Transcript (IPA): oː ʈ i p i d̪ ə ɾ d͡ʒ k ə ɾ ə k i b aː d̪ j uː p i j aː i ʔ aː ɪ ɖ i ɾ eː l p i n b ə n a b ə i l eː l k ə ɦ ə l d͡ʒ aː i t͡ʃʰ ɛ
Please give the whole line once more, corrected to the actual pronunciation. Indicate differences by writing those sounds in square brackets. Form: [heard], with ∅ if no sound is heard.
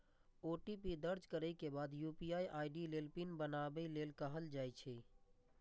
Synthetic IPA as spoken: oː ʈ i p i d̪ ə ɾ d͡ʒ k ə ɾ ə k [e] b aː d̪ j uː p i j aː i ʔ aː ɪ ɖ i [l] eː l p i n b ə n a b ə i l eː l k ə ɦ ə l d͡ʒ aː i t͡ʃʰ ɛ